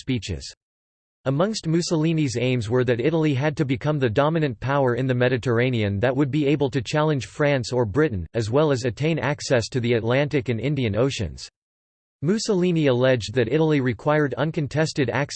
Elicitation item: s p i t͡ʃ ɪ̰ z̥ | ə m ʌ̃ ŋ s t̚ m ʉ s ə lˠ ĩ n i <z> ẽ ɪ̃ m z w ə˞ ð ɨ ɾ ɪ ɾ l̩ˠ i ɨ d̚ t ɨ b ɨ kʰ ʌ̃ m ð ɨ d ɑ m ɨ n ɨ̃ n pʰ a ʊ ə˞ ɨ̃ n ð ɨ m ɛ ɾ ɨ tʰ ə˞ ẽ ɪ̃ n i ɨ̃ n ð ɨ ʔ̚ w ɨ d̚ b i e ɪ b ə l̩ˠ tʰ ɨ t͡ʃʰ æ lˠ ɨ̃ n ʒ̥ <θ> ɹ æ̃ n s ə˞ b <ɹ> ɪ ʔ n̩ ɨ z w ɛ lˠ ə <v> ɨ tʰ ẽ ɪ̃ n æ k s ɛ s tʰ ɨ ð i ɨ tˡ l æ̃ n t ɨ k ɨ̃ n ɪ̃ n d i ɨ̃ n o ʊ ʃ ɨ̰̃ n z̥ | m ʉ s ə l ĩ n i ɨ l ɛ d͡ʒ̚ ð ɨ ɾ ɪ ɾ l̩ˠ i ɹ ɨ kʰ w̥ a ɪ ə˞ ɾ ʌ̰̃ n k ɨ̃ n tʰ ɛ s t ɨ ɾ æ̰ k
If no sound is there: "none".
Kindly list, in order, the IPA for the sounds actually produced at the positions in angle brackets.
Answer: z, f, ɹ, z

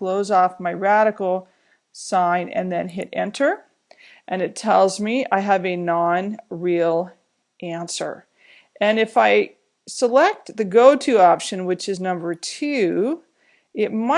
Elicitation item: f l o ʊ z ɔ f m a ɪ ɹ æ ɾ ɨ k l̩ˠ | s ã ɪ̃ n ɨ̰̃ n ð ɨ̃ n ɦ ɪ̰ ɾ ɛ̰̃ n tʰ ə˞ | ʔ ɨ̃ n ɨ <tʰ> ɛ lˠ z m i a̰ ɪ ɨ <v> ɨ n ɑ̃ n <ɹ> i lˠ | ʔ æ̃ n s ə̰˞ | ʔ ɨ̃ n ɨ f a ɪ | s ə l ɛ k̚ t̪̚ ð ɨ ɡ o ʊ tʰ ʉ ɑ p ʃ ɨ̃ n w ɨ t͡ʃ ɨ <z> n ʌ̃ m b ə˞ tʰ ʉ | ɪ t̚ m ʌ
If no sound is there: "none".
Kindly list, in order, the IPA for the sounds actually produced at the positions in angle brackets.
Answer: tʰ, v, ɹ, z

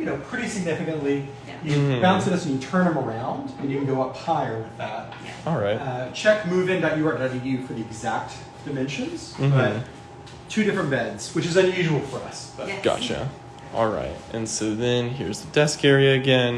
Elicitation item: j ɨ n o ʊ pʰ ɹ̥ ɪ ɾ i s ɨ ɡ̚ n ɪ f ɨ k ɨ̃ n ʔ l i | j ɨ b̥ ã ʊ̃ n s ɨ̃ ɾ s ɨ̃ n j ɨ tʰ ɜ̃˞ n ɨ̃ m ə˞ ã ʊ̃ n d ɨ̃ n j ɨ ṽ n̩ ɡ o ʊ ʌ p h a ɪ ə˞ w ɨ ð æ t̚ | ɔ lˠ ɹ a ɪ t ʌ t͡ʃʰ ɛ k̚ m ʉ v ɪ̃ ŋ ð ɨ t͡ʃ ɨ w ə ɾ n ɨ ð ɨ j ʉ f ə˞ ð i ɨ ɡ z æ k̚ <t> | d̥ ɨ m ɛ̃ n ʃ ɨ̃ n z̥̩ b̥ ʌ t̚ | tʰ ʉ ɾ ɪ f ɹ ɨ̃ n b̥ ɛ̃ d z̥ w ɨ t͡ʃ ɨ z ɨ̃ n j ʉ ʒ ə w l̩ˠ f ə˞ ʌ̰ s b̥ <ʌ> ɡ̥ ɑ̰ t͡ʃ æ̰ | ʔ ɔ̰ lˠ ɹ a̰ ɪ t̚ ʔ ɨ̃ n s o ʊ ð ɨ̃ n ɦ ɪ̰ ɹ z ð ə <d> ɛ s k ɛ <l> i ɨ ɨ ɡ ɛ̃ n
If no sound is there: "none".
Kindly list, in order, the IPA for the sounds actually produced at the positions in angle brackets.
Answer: t, ʌ, d, ɹ

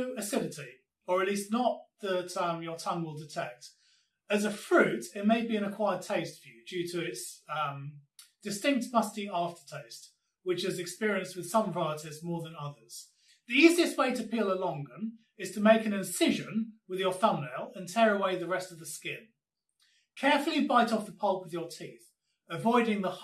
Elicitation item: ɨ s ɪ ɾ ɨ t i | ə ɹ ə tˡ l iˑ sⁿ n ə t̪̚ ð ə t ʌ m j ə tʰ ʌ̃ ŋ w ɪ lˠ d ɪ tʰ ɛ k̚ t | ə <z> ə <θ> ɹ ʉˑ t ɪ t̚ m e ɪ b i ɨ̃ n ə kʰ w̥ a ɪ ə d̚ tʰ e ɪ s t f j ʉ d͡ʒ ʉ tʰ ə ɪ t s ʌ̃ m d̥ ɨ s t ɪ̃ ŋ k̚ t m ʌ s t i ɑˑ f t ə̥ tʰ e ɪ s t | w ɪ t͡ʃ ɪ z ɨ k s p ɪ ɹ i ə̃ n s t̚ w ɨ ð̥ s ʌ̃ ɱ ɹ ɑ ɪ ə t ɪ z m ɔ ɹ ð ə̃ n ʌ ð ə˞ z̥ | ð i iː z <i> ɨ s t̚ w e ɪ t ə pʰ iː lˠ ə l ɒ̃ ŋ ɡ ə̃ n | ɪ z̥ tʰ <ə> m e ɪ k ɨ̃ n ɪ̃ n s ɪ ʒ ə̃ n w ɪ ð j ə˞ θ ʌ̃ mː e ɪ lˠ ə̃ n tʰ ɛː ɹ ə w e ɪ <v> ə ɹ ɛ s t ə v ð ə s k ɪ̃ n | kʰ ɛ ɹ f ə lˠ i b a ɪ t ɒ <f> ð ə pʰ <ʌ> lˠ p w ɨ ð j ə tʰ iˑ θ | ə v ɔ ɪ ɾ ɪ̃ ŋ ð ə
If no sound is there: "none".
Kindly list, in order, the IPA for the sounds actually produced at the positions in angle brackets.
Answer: z, f, i, ə, ð, f, ʌ

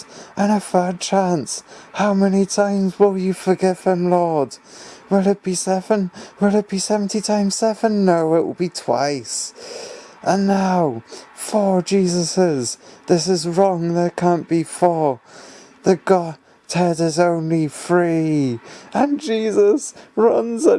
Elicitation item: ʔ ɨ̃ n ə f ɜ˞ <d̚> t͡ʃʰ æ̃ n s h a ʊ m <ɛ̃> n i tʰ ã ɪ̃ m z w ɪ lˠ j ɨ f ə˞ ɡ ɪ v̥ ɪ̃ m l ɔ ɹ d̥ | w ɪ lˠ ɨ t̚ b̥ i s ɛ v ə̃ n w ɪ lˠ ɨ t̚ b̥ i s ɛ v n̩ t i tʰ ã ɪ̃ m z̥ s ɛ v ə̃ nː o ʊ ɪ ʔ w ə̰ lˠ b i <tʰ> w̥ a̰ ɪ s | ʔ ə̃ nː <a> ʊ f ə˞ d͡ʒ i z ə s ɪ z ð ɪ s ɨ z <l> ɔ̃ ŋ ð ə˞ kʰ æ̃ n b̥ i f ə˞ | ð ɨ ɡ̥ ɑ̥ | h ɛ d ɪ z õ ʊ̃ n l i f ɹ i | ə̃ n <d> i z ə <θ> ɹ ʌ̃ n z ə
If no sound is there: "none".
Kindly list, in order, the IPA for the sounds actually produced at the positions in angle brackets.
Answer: d̚, ɛ, tʰ, a, ɹ, d͡ʒ, s

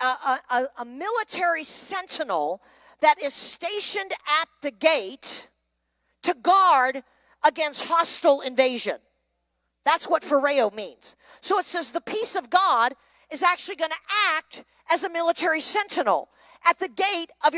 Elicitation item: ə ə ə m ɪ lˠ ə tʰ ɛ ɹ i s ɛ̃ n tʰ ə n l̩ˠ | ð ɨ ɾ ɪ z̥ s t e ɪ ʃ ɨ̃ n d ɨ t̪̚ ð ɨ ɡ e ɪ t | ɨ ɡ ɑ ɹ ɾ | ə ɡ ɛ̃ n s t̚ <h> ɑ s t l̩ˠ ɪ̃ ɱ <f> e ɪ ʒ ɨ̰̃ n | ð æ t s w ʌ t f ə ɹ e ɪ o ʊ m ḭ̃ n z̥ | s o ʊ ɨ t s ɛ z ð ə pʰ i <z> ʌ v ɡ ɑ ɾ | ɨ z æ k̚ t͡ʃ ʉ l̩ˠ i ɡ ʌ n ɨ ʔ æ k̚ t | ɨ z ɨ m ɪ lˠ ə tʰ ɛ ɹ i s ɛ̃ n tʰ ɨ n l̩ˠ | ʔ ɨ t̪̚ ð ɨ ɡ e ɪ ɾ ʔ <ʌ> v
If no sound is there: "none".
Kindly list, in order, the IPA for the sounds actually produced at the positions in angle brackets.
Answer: h, v, s, ʌ

